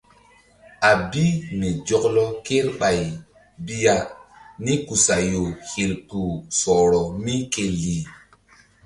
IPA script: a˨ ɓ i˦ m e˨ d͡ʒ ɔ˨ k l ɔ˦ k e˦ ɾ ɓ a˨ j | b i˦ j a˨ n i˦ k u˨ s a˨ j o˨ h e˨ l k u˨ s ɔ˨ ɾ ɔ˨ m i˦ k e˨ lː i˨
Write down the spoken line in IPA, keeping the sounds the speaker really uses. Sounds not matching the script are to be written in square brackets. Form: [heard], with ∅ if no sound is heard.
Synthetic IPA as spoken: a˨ [b] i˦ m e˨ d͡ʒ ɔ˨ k l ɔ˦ k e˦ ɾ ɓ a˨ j | b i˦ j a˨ n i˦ k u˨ s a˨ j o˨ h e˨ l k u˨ s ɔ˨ ɾ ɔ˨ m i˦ k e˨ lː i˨